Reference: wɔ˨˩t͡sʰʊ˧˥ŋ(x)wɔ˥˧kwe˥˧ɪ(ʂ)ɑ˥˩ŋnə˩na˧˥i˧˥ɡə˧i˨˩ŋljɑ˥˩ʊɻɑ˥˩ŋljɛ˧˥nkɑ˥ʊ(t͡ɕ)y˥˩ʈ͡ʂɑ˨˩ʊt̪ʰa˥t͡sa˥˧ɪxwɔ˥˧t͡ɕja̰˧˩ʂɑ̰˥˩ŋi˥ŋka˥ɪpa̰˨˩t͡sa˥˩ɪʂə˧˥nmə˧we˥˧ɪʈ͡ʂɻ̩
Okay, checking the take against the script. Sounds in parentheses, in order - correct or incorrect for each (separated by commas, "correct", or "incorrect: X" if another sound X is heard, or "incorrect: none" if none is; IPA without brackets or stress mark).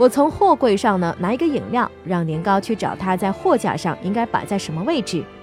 correct, correct, incorrect: t͡ɕʰ